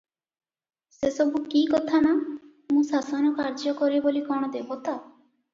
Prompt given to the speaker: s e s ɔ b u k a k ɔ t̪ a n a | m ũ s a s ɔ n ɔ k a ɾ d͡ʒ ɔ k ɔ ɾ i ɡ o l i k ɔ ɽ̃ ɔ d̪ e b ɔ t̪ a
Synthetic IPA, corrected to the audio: s e s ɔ b u k i k ɔ t̪ʰ a n a | m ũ s a s ɔ n ɔ k a ɾ d͡ʒ ɔ k ɔ ɾ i b o l i k ɔ ɽ̃ ɔ d̪ e b ɔ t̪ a